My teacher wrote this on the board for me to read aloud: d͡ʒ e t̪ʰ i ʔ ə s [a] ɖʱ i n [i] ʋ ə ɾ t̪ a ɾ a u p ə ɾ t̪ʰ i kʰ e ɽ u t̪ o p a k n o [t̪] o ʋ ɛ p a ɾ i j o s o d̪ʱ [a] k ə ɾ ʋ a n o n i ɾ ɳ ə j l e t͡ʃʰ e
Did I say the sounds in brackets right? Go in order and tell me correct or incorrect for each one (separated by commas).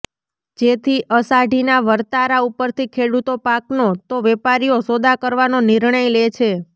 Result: correct, incorrect, correct, correct